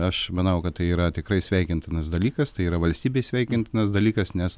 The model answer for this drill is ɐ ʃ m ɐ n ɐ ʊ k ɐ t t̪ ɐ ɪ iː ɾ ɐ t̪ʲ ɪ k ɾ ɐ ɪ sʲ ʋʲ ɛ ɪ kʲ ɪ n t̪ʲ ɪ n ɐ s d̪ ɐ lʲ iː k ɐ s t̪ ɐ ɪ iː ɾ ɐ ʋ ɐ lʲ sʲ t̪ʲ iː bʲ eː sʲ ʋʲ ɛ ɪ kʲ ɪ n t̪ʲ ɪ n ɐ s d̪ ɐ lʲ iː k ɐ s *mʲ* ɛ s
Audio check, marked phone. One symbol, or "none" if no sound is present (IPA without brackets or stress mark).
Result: nʲ